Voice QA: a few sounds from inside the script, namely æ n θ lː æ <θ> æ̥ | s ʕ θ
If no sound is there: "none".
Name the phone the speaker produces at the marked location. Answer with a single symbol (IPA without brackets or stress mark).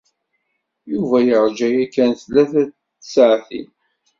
θ